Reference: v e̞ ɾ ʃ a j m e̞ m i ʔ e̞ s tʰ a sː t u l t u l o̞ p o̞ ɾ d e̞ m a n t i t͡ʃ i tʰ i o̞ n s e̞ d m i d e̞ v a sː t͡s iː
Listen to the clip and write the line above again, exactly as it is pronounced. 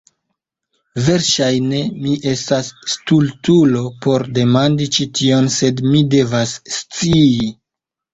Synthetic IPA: v e̞ ɾ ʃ a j n e̞ m i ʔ e̞ s t a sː t u l t u l o̞ p o̞ ɾ d e̞ m a n d i t͡ʃ i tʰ i o̞ n s e̞ d m i d e̞ v a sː t͡s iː